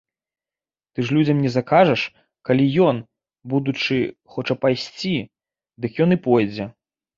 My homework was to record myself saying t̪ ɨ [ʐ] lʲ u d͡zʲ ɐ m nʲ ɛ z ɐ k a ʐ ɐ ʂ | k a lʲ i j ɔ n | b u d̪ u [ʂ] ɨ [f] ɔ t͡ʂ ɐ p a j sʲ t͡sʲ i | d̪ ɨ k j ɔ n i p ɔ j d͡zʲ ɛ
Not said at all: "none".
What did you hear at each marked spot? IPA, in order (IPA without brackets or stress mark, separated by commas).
ʐ, t͡ʂ, x